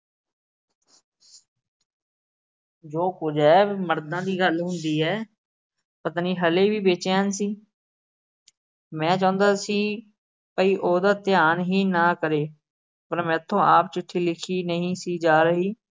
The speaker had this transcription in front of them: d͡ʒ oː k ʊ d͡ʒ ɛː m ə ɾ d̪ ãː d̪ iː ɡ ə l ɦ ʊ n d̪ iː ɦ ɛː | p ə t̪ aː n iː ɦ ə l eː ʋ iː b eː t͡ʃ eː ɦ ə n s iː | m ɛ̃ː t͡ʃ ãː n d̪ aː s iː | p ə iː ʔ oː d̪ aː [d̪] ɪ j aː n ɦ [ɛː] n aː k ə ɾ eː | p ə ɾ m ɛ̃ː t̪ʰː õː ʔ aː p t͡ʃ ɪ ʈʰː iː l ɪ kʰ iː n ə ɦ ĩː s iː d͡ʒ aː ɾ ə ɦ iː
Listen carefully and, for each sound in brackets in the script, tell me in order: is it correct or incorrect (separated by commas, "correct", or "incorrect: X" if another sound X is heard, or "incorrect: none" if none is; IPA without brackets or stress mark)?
incorrect: t̪, incorrect: iː